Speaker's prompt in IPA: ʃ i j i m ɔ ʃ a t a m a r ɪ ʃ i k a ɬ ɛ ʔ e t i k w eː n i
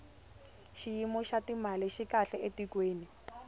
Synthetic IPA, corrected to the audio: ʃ i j i m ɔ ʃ a t i m a l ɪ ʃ i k a ɬ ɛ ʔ e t i k w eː n i